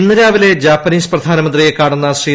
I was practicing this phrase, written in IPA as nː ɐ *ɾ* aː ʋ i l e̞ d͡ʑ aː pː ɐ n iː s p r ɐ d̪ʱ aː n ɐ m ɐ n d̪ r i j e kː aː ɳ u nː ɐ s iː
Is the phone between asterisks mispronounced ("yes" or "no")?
no